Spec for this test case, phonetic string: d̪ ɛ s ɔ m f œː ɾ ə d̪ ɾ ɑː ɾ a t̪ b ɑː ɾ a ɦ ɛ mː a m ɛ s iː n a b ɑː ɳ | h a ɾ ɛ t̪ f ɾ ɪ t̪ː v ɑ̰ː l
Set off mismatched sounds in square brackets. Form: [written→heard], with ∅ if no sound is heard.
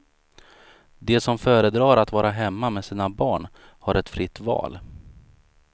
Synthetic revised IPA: d̪ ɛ s ɔ m f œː ɾ ə d̪ ɾ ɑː ɾ a t̪ [b→v] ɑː ɾ a ɦ ɛ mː a m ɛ s iː n a b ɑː ɳ | h a ɾ ɛ t̪ f ɾ ɪ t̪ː v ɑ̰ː l